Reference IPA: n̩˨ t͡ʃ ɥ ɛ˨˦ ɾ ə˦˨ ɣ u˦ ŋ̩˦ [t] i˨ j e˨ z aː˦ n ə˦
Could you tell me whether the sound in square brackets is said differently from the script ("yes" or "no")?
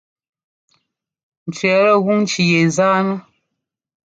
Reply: yes